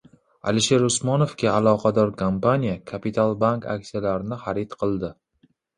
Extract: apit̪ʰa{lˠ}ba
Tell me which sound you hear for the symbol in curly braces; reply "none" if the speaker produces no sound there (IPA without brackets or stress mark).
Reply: lˠ